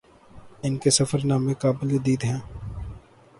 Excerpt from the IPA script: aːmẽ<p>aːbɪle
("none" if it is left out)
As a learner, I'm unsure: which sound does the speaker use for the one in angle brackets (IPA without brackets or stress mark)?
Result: k